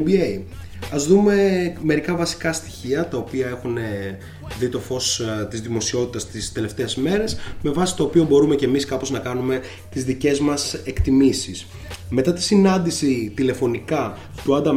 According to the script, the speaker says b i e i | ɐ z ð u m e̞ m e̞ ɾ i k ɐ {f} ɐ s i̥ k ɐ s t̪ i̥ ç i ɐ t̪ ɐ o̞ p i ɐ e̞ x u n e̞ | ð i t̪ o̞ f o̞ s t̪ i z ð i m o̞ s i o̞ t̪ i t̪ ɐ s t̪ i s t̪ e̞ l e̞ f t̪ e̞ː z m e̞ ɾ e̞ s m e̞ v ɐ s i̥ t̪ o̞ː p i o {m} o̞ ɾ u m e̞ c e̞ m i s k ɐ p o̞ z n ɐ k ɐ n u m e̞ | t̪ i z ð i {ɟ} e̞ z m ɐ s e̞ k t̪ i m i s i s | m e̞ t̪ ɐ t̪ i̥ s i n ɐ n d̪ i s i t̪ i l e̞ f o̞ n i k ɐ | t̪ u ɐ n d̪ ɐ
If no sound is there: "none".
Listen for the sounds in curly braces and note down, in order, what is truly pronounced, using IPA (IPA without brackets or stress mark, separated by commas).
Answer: v, b, c